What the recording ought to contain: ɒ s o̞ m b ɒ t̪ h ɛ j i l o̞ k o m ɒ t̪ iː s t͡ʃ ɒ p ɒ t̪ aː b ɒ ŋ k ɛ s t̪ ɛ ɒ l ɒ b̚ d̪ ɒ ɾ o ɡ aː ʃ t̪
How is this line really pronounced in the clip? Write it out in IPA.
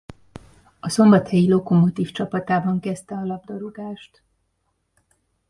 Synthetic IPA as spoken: ɒ s o̞ m b ɒ t̪ h ɛ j i l o̞ k o m o t̪ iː f t͡ʃ ɒ p ɒ t̪ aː b ɒ ŋ k ɛ s t̪ ɛ ɒ l ɒ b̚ d̪ ɒ ɾ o ɡ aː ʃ t̪